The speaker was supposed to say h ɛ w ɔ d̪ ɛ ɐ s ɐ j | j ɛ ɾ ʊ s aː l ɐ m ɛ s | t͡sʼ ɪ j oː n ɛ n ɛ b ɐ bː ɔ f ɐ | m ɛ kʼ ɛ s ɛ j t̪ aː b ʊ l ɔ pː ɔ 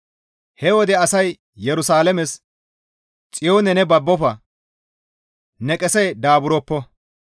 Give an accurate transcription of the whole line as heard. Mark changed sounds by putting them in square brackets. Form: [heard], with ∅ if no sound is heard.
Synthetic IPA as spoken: h ɛ w ɔ d̪ ɛ ɐ s ɐ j | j ɛ ɾ ʊ s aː l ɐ m ɛ s | t͡sʼ ɪ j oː n ɛ n ɛ b ɐ bː ɔ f ɐ | [n] ɛ kʼ ɛ s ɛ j [d̪] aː b ʊ [ɾ] ɔ pː ɔ

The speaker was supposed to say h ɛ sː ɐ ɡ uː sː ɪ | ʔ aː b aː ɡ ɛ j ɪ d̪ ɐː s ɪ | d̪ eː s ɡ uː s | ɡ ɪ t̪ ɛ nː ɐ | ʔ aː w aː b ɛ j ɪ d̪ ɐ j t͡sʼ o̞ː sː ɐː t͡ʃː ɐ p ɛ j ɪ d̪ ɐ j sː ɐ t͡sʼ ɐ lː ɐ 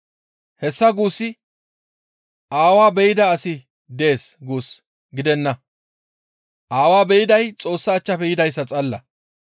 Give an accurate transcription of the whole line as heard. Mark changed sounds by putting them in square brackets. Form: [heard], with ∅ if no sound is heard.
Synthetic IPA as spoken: h ɛ sː ɐ ɡ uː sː ɪ | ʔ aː [w] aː [b] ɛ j ɪ d̪ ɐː s ɪ | d̪ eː s ɡ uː s | ɡ ɪ [d̪] ɛ nː ɐ | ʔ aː w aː b ɛ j ɪ d̪ ɐ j t͡sʼ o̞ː sː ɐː t͡ʃː ɐ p ɛ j ɪ d̪ ɐ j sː ɐ t͡sʼ ɐ lː ɐ

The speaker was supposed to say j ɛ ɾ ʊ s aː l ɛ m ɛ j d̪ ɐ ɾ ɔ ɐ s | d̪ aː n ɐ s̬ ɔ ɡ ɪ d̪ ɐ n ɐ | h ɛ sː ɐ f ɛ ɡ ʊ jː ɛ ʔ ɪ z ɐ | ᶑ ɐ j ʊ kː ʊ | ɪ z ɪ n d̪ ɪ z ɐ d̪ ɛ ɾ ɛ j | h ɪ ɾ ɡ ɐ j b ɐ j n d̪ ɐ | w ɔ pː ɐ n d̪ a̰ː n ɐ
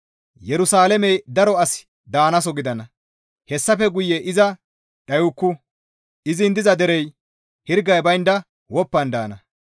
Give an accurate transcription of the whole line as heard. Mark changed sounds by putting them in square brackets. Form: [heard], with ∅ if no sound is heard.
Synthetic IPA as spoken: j ɛ ɾ ʊ s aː l ɛ m ɛ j d̪ ɐ ɾ ɔ ɐ s | d̪ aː n ɐ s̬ ɔ ɡ ɪ d̪ ɐ n ɐ | h ɛ sː ɐ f ɛ ɡ ʊ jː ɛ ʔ ɪ z ɐ | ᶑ ɐ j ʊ kː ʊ | ɪ z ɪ n d̪ ɪ z ɐ d̪ ɛ ɾ ɛ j | h ɪ ɾ ɡ ɐ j b ɐ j n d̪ ɐ | w ɔ pː ɐ n d̪ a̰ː n ɐ

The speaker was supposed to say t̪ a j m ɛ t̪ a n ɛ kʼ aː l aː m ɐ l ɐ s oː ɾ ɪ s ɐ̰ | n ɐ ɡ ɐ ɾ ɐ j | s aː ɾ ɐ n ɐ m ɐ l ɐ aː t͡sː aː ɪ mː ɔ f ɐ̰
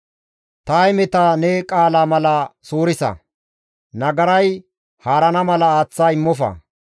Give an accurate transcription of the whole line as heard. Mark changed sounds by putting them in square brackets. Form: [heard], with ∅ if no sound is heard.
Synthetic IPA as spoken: t̪ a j m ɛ t̪ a n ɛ kʼ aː l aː m ɐ l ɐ s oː ɾ ɪ s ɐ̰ | n ɐ ɡ ɐ ɾ ɐ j | [h] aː ɾ ɐ n ɐ m ɐ l ɐ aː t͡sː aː ɪ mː ɔ f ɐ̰

